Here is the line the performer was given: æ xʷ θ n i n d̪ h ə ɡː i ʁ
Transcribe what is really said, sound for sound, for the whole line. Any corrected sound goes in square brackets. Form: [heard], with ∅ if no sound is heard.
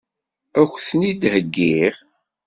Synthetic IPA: æ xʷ θ n i [∅] d̪ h ə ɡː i ʁ